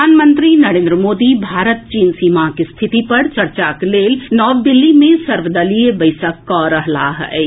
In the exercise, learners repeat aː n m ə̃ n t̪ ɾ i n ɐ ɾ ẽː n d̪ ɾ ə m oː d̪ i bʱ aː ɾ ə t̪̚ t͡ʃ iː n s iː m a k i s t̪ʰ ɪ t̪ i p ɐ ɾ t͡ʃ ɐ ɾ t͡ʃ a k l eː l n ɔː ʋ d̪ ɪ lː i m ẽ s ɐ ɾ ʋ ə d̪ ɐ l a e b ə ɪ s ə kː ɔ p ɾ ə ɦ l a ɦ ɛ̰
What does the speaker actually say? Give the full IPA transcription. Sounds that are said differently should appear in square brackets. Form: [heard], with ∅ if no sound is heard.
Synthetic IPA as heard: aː n m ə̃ n t̪ ɾ i n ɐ ɾ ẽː n d̪ ɾ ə m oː d̪ i bʱ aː ɾ ə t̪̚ t͡ʃ iː n s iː m a k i s t̪ʰ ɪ t̪ i p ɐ ɾ t͡ʃ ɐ ɾ t͡ʃ a k l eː l n ɔː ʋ d̪ ɪ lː i m ẽ s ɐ ɾ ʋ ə d̪ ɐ l [i] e b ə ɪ s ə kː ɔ [∅] ɾ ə ɦ l a ɦ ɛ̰